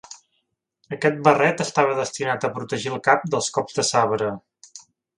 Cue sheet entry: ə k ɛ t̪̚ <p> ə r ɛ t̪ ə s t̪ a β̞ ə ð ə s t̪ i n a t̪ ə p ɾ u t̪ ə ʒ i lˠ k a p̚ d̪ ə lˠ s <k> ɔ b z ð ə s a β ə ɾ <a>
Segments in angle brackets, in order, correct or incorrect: incorrect, correct, incorrect

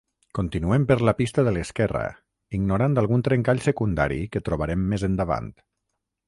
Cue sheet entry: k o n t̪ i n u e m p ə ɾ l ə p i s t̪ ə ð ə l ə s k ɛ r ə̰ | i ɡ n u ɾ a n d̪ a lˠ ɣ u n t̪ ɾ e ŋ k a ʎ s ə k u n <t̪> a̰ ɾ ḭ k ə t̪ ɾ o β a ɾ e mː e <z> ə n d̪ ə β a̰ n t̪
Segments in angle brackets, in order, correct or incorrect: incorrect, correct

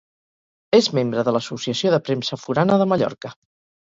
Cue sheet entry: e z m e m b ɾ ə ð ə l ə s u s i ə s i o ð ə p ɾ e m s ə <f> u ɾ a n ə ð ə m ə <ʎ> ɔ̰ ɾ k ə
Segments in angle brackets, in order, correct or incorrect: correct, correct

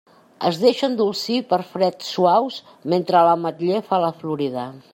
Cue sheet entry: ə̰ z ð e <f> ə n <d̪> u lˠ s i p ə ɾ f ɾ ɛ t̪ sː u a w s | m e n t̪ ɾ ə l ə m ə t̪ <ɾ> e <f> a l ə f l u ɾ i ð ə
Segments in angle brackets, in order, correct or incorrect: incorrect, correct, incorrect, correct

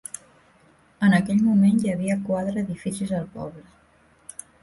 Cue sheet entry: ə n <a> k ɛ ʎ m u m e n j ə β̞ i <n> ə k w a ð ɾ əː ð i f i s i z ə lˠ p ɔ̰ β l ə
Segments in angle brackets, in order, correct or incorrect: incorrect, incorrect

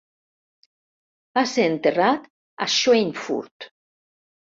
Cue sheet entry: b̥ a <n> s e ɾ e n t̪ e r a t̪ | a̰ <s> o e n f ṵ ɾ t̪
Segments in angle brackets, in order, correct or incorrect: incorrect, incorrect

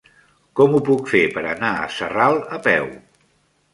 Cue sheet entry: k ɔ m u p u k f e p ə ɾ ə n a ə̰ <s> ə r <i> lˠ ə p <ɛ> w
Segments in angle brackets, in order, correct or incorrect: correct, incorrect, correct

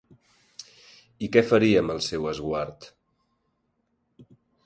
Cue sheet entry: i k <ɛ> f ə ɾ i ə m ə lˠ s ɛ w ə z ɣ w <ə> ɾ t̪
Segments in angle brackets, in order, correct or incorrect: correct, incorrect

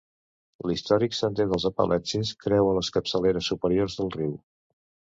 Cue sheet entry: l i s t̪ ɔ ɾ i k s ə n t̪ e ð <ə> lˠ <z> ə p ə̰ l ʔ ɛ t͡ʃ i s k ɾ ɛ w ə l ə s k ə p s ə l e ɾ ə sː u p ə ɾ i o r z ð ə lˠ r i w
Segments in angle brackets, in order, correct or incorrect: correct, correct

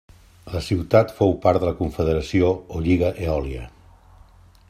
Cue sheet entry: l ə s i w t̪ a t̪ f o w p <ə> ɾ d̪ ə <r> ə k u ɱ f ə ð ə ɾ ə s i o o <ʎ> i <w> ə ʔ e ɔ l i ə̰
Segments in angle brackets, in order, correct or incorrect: incorrect, incorrect, correct, incorrect

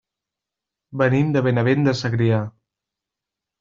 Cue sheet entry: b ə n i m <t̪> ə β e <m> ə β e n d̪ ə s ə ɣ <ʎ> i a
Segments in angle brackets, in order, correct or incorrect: incorrect, incorrect, incorrect

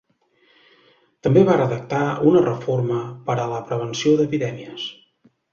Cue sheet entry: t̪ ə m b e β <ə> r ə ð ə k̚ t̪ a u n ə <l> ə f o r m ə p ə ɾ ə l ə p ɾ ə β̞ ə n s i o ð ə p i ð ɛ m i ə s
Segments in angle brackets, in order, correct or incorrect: incorrect, incorrect

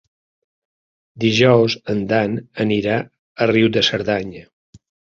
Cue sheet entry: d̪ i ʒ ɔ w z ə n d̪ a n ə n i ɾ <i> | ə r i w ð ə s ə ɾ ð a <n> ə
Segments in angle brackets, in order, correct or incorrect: incorrect, incorrect

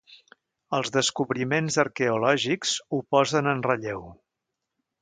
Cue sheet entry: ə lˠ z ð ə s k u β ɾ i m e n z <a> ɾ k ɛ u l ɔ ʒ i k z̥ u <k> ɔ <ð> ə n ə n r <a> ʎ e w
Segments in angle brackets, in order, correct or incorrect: incorrect, incorrect, incorrect, incorrect

